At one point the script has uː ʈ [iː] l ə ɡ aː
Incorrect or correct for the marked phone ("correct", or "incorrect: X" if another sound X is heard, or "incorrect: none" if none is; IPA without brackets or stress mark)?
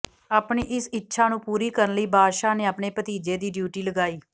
correct